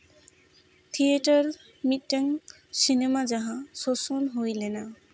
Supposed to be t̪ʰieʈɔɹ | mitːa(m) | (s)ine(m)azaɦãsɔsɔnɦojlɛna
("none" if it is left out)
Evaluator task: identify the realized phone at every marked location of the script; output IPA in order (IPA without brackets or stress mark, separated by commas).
ŋ, s, m